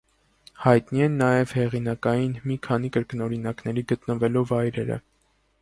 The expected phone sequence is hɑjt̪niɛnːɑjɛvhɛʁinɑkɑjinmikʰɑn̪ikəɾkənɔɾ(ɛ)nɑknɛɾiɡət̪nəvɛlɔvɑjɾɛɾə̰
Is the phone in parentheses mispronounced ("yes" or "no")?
yes